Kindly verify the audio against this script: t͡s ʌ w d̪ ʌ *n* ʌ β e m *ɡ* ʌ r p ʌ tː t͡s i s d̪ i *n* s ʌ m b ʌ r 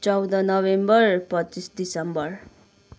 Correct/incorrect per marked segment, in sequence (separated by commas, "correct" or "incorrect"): correct, incorrect, incorrect